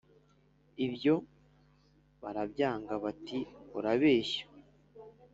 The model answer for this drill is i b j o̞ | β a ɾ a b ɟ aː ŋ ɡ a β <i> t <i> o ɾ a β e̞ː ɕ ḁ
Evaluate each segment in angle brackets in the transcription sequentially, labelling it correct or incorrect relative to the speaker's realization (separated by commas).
incorrect, correct